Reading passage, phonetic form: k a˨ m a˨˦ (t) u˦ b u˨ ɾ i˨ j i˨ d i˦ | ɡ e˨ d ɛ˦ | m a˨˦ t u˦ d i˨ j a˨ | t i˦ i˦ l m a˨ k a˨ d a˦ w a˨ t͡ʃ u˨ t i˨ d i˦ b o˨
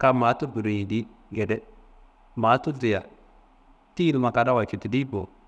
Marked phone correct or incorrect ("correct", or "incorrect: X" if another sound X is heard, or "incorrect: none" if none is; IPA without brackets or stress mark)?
correct